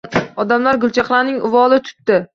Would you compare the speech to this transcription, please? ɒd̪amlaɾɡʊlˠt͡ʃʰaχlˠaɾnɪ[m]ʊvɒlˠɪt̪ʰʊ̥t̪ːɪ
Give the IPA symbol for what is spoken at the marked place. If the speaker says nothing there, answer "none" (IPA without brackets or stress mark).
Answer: ŋ